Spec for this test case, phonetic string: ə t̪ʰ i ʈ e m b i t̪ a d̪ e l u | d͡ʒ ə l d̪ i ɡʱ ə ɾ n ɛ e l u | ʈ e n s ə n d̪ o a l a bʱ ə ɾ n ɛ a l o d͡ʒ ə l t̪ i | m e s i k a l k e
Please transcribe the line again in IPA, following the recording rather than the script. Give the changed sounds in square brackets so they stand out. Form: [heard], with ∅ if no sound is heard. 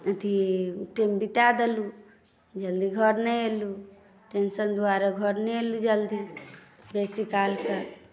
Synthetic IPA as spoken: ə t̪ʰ i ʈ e m b i t̪ a d̪ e l u | d͡ʒ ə l d̪ i ɡʱ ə ɾ n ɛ e l u | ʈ e n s ə n d̪ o a [ɾ] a [ɡʱ] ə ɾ n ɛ [e] l [u] d͡ʒ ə l [d̪] i | [b] e s i k a l k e